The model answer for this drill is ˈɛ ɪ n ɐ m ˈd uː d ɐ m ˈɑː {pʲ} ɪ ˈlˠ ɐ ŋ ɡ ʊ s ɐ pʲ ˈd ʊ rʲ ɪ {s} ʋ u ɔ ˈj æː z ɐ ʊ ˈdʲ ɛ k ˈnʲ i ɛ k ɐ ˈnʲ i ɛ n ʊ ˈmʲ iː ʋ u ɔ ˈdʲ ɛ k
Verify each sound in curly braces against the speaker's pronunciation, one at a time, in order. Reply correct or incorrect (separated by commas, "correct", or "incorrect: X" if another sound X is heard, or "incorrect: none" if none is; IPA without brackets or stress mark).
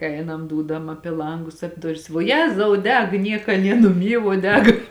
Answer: correct, correct